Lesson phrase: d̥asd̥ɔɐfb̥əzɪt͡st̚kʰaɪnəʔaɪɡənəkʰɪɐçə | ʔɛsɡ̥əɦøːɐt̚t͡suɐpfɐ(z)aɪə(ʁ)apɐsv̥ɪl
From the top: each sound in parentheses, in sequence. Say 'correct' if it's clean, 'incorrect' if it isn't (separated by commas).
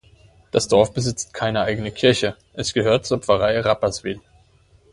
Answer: incorrect, correct